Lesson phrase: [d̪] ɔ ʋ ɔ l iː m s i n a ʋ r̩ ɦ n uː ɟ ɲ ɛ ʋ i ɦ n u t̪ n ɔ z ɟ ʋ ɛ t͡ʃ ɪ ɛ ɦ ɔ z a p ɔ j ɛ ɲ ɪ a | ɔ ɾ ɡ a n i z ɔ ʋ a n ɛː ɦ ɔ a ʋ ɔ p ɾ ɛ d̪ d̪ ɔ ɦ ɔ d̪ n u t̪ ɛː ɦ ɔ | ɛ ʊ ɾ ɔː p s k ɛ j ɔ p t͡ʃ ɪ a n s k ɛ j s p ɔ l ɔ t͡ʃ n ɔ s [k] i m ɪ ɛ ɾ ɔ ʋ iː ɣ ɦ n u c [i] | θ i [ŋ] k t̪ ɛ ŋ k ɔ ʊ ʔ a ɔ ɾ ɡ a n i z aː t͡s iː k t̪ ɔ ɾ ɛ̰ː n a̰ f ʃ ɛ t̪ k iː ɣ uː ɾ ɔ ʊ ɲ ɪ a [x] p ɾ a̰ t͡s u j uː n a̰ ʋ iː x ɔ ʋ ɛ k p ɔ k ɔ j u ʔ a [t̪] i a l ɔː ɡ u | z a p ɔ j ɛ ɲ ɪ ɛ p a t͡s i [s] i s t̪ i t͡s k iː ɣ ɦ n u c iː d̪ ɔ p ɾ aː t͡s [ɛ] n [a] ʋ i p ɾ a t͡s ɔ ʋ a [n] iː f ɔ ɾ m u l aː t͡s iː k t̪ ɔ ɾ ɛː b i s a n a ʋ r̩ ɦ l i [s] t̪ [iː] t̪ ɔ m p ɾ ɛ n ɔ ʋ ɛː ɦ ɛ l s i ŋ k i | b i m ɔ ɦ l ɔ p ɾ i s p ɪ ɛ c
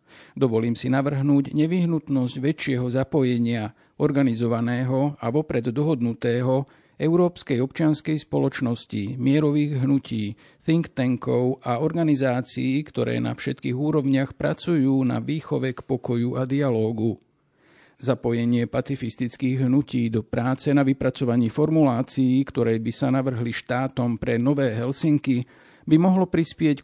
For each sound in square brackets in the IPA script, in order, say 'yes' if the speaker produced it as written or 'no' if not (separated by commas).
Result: yes, no, no, yes, yes, no, no, yes, yes, no, no, no